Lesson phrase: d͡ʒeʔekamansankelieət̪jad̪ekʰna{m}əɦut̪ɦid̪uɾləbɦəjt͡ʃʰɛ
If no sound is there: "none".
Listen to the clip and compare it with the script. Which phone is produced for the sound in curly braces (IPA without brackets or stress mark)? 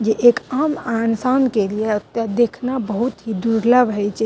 b